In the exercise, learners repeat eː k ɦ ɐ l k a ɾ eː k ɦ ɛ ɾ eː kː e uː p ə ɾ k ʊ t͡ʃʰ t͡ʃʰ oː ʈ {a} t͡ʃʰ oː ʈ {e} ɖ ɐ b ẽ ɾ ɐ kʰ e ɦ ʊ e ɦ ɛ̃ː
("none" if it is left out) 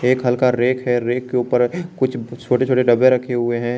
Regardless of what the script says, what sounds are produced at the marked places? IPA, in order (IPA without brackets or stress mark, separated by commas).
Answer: e, e